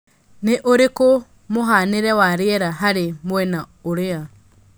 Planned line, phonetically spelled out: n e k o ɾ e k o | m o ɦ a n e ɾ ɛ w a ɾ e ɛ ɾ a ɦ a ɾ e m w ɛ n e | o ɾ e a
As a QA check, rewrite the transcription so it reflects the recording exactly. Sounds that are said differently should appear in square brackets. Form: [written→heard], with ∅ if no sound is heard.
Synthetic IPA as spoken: n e [k→ʔ] o ɾ e k o | m o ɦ a n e ɾ ɛ w a ɾ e ɛ ɾ a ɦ a ɾ e m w ɛ n [e→a] | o ɾ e a